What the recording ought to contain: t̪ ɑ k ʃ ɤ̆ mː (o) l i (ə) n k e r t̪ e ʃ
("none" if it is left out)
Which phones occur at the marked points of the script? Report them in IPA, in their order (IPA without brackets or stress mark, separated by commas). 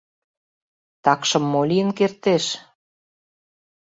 o, ə